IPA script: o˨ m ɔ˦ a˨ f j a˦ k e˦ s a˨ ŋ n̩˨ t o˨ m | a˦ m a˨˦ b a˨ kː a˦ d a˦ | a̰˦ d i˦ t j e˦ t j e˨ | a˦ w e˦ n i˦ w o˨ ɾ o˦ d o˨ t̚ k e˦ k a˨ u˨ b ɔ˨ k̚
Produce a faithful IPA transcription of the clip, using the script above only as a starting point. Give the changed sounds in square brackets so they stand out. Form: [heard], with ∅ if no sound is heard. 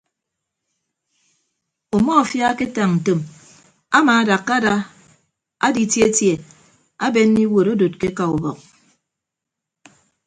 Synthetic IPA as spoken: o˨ m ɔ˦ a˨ f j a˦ k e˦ [t] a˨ ŋ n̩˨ t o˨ m | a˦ m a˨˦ [d] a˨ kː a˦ d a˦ | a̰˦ d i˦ t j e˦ t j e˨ | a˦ [b] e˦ n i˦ w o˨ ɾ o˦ d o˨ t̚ k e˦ k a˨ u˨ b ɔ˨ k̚